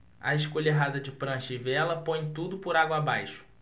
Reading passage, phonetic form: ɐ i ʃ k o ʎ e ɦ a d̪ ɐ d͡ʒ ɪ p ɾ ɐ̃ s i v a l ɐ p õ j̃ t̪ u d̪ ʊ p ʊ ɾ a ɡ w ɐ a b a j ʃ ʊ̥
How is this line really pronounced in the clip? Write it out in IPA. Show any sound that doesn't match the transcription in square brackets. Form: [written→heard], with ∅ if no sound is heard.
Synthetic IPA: ɐ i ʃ k o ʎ e ɦ a d̪ ɐ d͡ʒ ɪ p ɾ ɐ̃ [s→ʃ] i v [a→ɛ] l ɐ p õ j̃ t̪ u d̪ ʊ p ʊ ɾ a ɡ w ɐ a b a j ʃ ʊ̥